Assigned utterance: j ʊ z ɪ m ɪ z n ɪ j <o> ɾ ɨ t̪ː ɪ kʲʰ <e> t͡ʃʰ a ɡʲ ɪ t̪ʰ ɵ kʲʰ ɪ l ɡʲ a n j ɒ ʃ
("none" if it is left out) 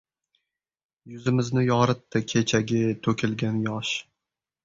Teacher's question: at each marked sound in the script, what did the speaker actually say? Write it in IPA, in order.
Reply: ɒ, e

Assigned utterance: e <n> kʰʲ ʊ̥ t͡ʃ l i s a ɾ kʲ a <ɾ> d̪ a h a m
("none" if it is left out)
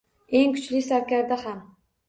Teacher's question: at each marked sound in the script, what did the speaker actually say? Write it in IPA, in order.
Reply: ŋ, ɾ

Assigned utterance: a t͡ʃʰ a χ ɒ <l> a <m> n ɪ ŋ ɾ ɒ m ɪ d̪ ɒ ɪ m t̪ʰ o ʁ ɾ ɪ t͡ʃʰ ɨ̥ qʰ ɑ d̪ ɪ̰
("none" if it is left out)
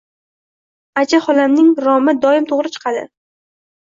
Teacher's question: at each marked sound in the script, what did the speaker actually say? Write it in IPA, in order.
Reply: l, m

